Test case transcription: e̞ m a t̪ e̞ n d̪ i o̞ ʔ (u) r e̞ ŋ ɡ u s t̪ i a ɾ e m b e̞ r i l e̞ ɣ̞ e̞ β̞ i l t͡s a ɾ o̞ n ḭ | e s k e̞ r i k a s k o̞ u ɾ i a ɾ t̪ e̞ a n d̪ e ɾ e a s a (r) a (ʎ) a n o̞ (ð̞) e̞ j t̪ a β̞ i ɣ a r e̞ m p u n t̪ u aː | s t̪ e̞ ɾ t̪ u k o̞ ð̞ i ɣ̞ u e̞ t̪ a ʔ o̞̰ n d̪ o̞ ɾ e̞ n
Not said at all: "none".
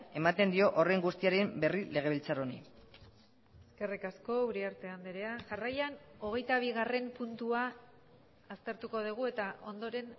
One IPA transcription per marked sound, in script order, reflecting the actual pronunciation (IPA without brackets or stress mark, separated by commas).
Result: o, r, j, ɣ̞